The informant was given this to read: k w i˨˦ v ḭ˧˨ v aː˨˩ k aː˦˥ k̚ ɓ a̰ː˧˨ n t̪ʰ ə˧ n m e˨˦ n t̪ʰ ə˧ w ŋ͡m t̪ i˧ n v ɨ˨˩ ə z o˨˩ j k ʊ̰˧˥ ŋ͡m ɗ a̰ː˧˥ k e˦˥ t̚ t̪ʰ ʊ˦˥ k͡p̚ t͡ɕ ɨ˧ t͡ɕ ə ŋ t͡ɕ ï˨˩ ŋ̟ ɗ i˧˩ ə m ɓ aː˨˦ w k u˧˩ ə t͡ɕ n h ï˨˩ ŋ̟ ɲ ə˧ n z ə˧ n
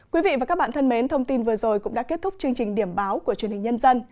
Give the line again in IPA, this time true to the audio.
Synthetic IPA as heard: k w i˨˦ v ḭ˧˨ v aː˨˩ k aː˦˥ k̚ ɓ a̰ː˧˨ n t̪ʰ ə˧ n m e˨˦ n t̪ʰ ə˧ w ŋ͡m t̪ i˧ n v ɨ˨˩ ə z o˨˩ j k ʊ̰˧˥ ŋ͡m ɗ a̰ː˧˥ k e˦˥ t̚ t̪ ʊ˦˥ k͡p̚ t͡ɕ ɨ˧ ə ŋ t͡ɕ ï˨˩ ŋ̟ ɗ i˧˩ ə m ɓ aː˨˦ w k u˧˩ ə t͡ɕ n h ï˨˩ ŋ̟ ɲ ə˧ n z ə˧ n